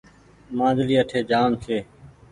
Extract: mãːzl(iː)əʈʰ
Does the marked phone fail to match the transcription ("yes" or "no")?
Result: no